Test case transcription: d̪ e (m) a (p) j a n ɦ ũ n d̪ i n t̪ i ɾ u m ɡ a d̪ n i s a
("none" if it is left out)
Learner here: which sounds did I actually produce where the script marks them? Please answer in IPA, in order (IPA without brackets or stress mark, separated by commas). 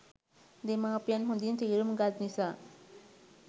m, p